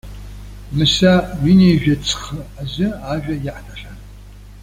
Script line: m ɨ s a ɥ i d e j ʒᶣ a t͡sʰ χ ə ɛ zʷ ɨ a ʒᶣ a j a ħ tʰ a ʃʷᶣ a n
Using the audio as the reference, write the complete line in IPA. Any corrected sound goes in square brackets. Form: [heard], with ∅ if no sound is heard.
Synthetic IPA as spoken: m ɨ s a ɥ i [n] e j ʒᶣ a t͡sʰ χ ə [a] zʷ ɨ a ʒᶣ a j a ħ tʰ a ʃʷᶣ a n